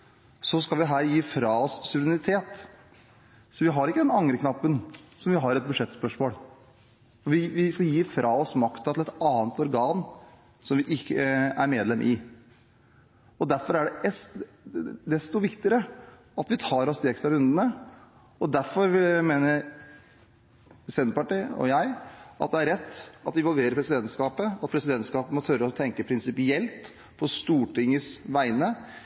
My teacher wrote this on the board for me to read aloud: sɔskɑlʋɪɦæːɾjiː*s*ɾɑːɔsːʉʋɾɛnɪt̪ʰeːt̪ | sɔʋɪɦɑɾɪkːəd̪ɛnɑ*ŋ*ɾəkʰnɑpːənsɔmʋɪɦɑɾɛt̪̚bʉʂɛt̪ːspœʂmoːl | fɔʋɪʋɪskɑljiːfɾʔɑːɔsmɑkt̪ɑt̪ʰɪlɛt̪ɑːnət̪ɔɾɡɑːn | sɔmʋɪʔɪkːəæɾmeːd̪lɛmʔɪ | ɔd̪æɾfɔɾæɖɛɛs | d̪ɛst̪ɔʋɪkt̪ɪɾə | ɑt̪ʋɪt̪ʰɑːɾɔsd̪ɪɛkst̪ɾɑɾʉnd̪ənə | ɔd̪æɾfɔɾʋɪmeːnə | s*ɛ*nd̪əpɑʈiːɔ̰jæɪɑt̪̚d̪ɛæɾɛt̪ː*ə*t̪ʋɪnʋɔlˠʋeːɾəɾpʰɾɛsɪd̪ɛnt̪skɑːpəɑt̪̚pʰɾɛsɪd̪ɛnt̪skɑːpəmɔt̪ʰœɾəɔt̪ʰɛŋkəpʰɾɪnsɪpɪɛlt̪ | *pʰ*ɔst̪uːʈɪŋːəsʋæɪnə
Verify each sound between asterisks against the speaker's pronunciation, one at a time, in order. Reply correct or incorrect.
incorrect: f, correct, correct, incorrect: ɑ, correct

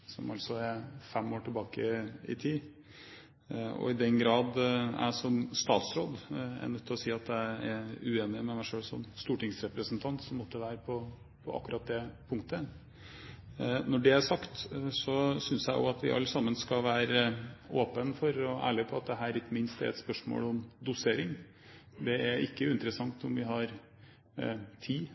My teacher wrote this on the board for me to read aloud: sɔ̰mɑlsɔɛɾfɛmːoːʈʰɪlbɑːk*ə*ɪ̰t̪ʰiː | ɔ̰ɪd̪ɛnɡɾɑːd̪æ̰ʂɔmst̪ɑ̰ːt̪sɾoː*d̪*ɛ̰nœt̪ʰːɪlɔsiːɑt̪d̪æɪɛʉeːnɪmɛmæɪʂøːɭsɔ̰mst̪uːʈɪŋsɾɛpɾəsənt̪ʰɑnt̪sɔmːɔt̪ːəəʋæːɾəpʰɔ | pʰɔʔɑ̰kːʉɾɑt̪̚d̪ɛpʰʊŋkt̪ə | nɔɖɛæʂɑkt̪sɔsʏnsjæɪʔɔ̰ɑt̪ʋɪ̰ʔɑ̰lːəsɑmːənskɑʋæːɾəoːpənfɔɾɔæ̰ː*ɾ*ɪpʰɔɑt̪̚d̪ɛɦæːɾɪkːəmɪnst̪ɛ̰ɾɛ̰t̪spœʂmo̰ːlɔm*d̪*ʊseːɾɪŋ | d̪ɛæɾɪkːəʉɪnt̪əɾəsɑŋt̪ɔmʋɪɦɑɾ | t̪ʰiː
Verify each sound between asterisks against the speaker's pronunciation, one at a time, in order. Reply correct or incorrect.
correct, correct, incorrect: ɭ, correct

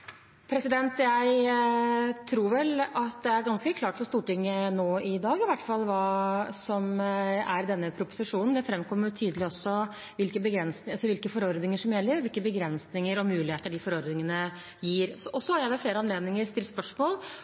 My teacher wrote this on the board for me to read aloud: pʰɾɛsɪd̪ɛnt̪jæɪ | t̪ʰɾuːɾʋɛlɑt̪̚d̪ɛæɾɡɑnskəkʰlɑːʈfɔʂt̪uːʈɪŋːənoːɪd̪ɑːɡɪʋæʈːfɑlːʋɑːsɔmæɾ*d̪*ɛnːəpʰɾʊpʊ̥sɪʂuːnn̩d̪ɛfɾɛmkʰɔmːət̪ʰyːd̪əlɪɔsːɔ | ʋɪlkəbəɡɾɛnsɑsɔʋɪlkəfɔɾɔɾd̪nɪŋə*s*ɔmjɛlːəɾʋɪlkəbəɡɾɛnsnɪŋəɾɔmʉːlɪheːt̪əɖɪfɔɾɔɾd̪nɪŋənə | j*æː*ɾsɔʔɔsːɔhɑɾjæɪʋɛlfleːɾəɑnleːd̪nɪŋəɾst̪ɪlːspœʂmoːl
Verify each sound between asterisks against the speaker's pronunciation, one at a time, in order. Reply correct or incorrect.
correct, incorrect: ʂ, incorrect: iː

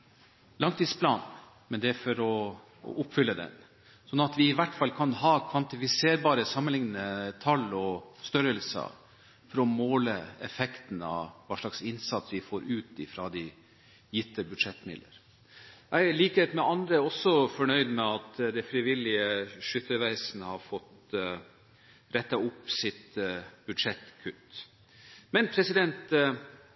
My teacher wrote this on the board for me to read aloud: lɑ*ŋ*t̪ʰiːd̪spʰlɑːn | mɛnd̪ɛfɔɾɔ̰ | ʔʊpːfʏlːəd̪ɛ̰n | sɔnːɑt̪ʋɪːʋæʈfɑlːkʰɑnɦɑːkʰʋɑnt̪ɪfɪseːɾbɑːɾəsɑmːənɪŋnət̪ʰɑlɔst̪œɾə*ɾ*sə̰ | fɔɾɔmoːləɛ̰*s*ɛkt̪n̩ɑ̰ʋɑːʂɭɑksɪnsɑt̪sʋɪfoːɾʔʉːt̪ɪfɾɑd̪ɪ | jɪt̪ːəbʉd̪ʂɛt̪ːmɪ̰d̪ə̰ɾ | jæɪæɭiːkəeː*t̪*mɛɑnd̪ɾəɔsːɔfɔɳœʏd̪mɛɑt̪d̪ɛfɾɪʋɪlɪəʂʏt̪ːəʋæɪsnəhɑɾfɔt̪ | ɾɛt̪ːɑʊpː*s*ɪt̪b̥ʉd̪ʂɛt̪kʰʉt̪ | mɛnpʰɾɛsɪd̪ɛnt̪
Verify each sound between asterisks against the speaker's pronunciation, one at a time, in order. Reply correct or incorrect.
correct, incorrect: l, incorrect: f, correct, correct

